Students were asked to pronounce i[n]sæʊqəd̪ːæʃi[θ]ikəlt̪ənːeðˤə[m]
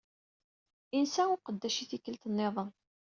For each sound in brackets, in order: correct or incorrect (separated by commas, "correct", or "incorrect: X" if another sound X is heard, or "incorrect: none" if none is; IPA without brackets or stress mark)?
correct, correct, incorrect: n